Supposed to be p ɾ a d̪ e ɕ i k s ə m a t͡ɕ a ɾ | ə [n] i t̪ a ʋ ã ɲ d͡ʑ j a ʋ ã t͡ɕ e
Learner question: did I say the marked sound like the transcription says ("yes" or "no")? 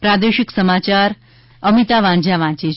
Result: no